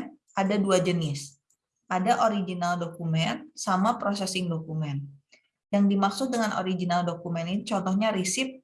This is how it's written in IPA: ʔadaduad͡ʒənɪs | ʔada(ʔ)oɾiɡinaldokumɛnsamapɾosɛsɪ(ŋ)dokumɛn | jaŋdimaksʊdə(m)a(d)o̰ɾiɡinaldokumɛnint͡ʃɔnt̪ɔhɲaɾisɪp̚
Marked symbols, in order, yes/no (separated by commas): yes, yes, no, no